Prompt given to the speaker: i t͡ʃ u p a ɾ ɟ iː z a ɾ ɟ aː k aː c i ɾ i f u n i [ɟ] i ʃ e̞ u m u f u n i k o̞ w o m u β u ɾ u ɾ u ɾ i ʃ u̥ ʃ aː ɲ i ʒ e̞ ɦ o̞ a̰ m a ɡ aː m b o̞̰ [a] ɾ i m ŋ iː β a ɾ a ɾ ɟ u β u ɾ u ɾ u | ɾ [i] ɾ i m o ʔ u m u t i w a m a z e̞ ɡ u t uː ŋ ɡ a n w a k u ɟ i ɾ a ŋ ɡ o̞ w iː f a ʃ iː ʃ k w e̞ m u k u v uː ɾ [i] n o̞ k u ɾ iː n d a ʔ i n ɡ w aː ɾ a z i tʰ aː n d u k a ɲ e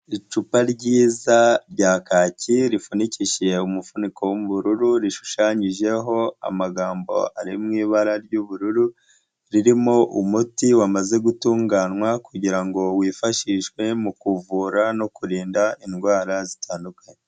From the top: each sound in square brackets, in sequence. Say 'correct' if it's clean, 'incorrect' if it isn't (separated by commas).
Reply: incorrect, correct, correct, incorrect